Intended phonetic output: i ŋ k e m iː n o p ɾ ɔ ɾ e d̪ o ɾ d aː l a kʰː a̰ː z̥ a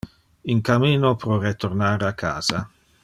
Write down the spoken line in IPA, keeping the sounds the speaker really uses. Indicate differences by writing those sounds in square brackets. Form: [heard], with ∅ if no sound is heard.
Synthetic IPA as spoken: i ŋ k [a] m iː n o p ɾ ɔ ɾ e [t̪] o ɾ [n] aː [ɾ] a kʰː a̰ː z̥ a